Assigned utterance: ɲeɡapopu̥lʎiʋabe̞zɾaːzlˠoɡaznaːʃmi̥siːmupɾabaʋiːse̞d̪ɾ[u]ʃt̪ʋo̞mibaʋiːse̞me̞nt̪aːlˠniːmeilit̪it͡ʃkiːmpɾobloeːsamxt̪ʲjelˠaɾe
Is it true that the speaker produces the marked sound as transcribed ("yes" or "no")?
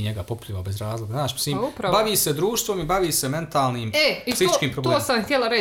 no